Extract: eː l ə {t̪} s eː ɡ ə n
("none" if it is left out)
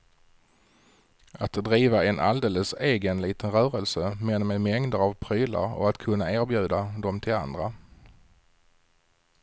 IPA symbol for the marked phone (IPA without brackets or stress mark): none